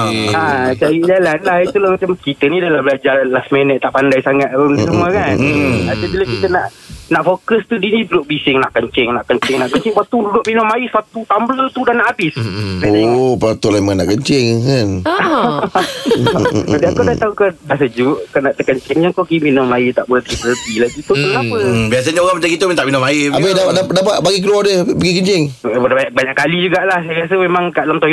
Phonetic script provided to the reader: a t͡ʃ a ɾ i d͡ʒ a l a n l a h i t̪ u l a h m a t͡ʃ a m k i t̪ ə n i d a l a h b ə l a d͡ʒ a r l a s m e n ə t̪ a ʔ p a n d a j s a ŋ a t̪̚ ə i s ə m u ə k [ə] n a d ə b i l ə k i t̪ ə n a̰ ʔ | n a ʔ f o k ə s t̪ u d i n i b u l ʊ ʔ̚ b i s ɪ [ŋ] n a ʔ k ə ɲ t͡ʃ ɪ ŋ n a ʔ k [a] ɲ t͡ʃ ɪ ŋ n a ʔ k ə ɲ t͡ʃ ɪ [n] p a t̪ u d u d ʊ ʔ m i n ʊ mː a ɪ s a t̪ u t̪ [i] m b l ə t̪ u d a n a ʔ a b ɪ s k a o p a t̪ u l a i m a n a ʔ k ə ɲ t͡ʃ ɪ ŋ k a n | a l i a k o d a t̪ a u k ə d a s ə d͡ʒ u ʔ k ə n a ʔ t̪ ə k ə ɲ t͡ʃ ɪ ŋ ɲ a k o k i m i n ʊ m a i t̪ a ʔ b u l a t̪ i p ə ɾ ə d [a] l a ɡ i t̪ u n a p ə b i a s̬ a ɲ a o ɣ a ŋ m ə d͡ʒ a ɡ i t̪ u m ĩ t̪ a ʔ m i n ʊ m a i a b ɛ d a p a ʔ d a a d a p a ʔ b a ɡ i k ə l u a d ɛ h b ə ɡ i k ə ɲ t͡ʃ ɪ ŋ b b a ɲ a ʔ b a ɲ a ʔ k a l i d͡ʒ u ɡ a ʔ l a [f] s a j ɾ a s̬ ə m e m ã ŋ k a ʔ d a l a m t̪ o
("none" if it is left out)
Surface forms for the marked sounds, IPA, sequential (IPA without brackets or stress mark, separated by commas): a, ŋ, ə, ŋ, a, i, h